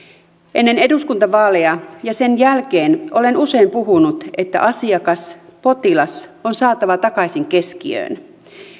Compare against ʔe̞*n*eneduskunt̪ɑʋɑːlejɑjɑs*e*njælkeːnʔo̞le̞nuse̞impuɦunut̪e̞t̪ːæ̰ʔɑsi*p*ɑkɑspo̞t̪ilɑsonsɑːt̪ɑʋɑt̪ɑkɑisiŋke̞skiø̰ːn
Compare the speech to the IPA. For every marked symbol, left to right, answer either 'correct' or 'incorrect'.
incorrect: nː, correct, incorrect: none

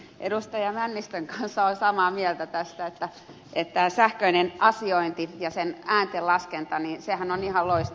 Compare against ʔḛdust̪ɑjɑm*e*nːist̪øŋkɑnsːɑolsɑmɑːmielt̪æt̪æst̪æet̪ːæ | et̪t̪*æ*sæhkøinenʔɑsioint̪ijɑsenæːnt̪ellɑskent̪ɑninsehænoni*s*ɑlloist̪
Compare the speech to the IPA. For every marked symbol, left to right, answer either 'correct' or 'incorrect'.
incorrect: æ, incorrect: æː, incorrect: h

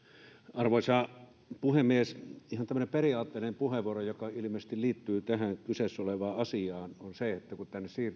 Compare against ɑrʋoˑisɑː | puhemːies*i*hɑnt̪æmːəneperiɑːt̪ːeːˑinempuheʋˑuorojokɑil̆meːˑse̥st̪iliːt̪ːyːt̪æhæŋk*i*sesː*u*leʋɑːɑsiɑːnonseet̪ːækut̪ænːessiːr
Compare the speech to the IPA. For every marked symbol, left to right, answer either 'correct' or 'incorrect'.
correct, incorrect: y, incorrect: o

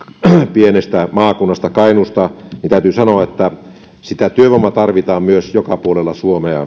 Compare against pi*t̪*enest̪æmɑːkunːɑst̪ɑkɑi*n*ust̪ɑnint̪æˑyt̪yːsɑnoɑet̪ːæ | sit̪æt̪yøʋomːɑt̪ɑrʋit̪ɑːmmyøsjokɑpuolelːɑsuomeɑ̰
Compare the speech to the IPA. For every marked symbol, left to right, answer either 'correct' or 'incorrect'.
incorrect: none, correct

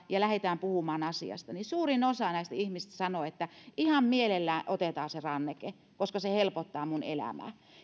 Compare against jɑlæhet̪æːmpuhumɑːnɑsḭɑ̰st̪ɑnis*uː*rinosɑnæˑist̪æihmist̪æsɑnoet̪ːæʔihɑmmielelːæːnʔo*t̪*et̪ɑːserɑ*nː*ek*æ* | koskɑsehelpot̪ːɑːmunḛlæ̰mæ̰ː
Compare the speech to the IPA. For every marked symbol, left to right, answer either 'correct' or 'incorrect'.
correct, correct, correct, incorrect: e

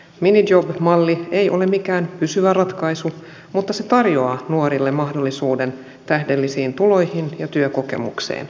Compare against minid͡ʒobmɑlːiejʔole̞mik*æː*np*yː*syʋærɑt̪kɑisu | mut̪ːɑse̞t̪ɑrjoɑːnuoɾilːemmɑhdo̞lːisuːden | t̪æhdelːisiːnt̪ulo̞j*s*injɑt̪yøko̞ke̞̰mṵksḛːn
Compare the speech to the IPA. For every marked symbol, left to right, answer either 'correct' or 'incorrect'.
correct, incorrect: y, incorrect: h

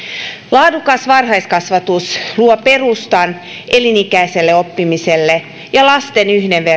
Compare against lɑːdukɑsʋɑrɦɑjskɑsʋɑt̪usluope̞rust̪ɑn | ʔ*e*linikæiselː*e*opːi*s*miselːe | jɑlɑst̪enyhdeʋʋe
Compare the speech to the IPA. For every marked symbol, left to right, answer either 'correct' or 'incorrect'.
correct, correct, incorrect: none

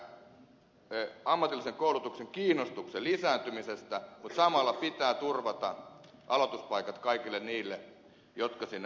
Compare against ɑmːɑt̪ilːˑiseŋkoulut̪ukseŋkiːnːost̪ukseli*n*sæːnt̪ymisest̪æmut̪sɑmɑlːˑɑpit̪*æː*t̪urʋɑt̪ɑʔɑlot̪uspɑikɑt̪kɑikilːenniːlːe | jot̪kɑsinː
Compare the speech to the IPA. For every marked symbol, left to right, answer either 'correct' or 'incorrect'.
incorrect: none, correct

